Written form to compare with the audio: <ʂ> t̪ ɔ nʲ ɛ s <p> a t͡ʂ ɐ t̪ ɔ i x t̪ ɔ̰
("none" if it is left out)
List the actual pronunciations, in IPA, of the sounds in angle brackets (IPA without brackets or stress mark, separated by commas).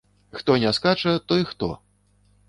x, k